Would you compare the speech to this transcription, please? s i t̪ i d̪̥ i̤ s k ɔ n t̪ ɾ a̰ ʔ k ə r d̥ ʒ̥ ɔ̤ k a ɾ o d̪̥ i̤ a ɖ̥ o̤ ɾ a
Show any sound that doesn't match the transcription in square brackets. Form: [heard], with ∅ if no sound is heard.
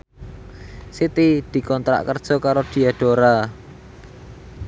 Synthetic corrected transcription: s i t̪ i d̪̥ i̤ [∅] k ɔ n t̪ ɾ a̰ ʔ k ə r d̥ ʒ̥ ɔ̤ k a ɾ o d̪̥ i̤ a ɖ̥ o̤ ɾ a